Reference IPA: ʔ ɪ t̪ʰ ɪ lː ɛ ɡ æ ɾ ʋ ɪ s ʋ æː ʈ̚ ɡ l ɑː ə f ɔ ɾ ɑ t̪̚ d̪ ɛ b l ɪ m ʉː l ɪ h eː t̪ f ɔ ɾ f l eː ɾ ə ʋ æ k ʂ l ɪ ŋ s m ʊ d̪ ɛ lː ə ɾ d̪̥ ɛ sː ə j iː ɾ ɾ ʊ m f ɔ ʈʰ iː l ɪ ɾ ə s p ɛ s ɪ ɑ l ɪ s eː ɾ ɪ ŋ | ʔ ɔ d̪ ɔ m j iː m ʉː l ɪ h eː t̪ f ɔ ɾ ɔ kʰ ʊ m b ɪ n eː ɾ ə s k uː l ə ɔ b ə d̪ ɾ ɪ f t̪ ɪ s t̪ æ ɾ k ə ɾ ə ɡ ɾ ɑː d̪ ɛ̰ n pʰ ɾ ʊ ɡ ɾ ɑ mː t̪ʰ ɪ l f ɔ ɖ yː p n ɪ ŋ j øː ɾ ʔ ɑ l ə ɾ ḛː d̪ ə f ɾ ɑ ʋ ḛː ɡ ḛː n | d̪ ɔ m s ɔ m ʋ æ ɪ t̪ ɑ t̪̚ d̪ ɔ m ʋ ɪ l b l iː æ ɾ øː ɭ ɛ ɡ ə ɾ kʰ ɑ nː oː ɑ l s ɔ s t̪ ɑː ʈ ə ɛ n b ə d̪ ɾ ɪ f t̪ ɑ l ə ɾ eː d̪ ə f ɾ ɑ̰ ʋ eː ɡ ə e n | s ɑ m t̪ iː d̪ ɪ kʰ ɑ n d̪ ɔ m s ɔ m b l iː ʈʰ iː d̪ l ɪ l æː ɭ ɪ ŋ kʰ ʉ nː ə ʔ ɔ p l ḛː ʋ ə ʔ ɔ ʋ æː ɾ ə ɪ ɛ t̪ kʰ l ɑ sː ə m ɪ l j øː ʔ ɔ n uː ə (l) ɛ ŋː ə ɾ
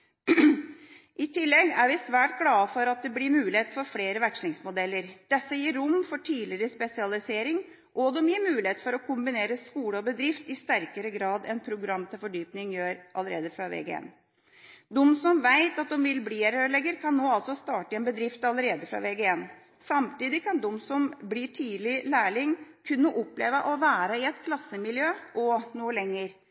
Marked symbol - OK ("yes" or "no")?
yes